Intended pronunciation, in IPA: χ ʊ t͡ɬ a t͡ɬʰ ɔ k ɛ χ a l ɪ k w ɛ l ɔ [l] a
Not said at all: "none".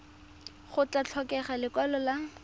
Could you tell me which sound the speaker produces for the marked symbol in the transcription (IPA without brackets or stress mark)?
l